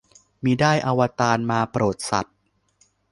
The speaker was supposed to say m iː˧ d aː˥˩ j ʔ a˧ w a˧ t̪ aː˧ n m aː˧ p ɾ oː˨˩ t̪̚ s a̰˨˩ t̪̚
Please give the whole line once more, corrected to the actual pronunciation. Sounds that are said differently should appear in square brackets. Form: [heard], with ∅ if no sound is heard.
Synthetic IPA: m iː˧ d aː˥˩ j ʔ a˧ w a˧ t̪ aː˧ n m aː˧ p ɾ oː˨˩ t̪̚ s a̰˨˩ t̪̚